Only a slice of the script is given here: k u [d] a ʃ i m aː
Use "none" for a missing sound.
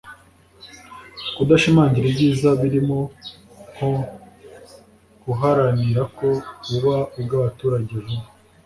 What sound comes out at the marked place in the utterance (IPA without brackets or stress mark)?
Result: d